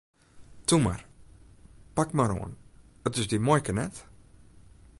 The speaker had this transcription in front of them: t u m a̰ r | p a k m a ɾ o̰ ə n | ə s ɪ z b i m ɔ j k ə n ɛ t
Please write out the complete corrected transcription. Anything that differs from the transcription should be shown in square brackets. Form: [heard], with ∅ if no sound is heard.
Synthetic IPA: t u m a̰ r | p a k m a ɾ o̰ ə n | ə [t] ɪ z [d] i m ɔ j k ə n ɛ t

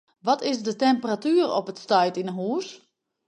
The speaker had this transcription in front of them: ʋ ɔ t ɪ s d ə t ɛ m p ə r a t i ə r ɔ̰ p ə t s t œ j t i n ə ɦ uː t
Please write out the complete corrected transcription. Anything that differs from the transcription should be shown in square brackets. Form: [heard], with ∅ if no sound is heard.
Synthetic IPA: ʋ ɔ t ɪ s d ə t ɛ m p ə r a t [y] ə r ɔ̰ p ə t s t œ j t i n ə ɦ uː [s]

